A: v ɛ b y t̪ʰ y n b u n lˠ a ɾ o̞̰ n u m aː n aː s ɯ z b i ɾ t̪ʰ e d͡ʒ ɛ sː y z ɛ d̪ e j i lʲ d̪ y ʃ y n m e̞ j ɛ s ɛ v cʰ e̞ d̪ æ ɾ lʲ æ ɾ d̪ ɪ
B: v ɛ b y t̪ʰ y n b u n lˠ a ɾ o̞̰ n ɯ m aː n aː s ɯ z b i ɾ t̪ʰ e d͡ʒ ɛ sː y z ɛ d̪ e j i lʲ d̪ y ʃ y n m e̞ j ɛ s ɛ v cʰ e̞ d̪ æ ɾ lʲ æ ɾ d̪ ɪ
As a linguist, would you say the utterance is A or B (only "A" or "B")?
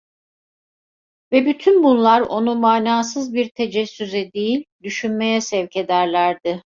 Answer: A